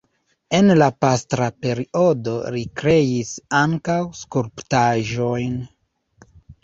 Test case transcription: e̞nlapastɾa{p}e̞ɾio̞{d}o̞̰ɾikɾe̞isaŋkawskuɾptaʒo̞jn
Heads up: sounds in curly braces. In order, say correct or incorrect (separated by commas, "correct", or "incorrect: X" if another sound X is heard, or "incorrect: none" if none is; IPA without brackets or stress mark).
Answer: correct, correct